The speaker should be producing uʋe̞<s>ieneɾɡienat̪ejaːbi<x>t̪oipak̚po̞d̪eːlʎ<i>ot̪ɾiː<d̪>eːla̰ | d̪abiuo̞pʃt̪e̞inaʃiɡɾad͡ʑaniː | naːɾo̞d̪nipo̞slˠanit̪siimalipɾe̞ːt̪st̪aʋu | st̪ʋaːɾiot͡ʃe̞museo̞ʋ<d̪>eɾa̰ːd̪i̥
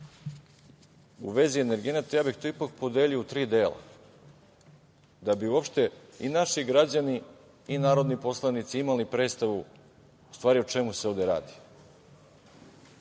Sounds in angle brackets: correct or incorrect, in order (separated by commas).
incorrect, correct, correct, correct, correct